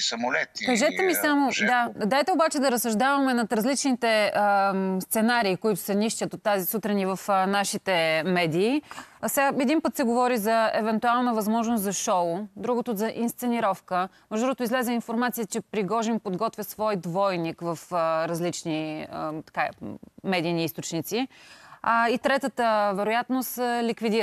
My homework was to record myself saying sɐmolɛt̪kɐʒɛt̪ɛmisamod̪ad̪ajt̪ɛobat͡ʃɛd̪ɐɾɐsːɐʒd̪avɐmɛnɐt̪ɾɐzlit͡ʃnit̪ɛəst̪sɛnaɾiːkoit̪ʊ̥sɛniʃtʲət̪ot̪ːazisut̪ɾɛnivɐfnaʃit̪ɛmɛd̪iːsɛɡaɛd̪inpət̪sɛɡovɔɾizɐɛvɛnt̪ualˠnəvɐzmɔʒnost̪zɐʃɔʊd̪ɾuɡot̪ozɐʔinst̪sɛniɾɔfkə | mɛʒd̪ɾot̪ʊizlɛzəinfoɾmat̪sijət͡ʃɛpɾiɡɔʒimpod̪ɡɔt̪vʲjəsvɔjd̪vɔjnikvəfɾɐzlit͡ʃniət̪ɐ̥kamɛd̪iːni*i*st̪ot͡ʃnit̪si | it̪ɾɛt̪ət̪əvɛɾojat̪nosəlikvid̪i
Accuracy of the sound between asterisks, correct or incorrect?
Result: correct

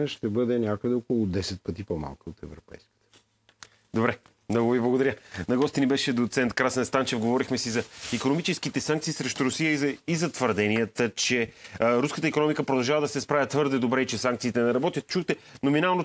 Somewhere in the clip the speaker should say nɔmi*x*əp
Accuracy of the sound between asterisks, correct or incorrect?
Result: incorrect: k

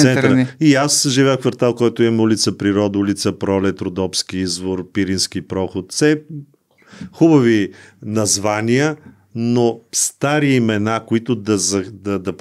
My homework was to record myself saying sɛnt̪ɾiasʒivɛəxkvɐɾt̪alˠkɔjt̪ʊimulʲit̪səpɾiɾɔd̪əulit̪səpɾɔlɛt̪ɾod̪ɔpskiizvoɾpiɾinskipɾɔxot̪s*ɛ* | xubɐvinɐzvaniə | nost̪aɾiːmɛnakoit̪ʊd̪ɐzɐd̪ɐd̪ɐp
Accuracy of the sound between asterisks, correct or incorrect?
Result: correct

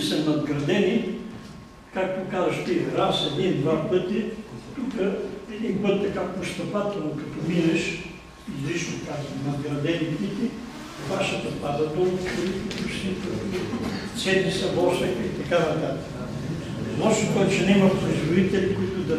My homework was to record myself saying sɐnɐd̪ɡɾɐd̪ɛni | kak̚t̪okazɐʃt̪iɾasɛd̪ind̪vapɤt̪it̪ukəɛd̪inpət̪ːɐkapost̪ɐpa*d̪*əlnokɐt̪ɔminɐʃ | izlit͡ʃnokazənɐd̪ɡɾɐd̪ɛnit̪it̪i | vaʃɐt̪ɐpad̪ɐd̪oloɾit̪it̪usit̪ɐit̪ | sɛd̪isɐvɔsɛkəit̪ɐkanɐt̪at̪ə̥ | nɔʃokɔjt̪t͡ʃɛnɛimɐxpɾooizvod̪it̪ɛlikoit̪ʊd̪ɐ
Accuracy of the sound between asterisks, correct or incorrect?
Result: incorrect: t̪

